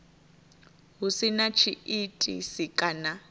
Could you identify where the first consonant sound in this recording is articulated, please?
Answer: glottal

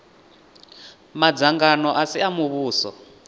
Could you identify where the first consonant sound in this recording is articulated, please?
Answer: labial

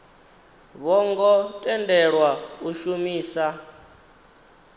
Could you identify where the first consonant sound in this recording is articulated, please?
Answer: labial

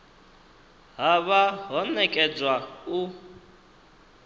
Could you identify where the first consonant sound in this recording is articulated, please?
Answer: glottal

